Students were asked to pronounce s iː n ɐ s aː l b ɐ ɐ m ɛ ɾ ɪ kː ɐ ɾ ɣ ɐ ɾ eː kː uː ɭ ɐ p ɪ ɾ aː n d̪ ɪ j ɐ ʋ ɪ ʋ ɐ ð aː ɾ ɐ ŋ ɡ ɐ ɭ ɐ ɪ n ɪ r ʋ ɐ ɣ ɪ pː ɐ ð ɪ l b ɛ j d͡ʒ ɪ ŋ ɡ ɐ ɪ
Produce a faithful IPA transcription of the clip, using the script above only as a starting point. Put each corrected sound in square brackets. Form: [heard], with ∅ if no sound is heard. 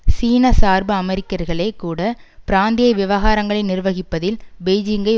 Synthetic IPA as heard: s iː n ɐ s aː [ɾ] b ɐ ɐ m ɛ ɾ ɪ kː ɐ ɾ ɣ ɐ [ɭ] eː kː uː [ɽ] ɐ p ɪ ɾ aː n d̪ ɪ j ɐ ʋ ɪ ʋ ɐ [ɣ] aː ɾ ɐ ŋ ɡ ɐ ɭ ɐ ɪ n ɪ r ʋ ɐ ɣ ɪ pː ɐ ð ɪ l b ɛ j d͡ʒ ɪ ŋ ɡ ɐ ɪ